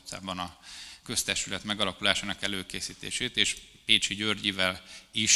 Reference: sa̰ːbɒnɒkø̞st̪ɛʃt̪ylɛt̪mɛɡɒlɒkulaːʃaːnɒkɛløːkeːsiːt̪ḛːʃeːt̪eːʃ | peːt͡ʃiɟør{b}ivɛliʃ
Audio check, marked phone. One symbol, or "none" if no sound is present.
ɟ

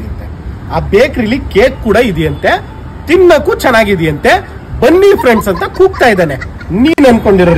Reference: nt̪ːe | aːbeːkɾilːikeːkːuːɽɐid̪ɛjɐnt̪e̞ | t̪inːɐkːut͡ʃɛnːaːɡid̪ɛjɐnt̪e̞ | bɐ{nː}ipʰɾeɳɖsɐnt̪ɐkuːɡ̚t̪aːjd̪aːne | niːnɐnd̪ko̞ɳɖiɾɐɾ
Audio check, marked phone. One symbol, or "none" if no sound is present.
nː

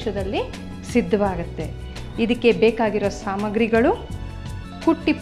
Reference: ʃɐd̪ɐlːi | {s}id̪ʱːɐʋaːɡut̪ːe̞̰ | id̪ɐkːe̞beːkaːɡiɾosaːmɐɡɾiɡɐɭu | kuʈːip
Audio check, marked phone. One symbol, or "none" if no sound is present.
s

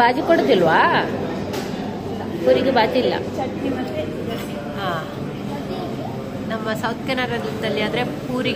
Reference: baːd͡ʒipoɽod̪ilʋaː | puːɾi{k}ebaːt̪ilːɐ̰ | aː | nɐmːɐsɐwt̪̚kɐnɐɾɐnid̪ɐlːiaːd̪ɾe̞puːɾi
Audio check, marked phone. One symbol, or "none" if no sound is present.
ɡ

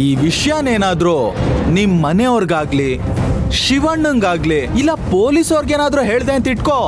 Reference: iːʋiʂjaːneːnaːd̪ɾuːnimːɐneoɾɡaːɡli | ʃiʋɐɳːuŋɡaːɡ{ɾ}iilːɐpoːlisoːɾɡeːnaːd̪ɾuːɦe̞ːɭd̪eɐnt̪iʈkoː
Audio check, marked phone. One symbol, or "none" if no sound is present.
l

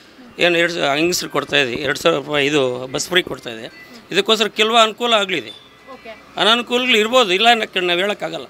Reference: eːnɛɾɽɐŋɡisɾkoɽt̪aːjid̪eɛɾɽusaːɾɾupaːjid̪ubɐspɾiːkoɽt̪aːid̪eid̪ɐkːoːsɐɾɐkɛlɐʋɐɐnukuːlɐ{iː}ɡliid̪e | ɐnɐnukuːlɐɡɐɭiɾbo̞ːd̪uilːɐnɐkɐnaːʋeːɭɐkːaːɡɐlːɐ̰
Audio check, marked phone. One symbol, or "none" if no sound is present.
aː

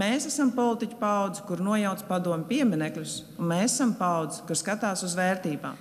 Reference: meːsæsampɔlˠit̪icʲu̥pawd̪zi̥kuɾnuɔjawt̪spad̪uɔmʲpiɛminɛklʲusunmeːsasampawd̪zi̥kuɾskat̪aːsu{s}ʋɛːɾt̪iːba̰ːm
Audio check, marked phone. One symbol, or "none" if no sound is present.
z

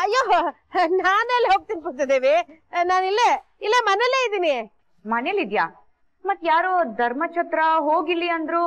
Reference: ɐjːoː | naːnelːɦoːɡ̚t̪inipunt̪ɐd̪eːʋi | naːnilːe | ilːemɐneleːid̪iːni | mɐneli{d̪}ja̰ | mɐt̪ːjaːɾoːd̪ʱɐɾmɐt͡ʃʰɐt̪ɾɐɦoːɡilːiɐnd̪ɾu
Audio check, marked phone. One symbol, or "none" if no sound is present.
d̪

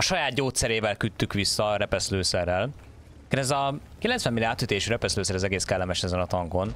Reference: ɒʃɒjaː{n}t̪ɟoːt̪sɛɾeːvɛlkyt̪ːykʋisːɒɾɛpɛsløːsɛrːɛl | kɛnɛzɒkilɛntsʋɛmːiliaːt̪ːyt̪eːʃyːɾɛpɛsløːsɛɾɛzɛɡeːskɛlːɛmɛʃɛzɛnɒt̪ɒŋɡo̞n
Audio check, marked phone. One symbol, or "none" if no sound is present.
none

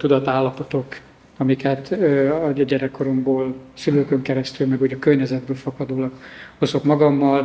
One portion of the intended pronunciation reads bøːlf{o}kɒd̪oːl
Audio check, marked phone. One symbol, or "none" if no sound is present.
ɒ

